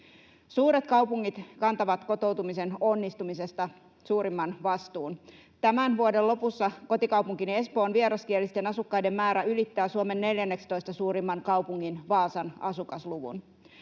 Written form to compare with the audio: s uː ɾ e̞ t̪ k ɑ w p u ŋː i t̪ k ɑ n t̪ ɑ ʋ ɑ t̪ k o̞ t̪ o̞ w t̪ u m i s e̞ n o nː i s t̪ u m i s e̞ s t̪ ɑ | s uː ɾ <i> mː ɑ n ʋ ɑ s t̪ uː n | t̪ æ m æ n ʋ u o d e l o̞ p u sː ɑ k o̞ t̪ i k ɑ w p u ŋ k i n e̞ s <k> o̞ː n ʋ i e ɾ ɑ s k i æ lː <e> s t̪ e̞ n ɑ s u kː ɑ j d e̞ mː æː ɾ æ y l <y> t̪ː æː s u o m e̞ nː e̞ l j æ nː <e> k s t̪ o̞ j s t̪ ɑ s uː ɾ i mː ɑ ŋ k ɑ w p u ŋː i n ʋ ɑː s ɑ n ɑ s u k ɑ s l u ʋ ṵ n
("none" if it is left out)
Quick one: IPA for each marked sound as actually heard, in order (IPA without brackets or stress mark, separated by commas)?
i, p, i, i, e